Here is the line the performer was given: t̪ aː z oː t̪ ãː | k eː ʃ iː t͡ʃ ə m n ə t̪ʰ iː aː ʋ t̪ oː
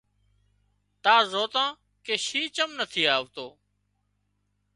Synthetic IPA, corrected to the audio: t̪ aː z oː t̪ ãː | k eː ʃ iː t͡ʃ ə m n ə t̪ʰ iː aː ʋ t̪ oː